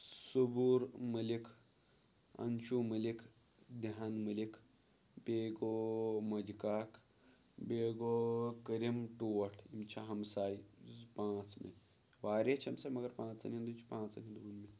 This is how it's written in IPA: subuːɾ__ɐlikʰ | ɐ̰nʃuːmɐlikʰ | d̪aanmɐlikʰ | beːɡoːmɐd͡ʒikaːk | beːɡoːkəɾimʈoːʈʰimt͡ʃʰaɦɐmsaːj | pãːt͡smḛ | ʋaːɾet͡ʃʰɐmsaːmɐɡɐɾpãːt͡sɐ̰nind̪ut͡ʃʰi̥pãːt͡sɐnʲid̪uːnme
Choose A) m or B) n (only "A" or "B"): A